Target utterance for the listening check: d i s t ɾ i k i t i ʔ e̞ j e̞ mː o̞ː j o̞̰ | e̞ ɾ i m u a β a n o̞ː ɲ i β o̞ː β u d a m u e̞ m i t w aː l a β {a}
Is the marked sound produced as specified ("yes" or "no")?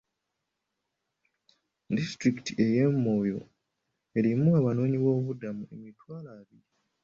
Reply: no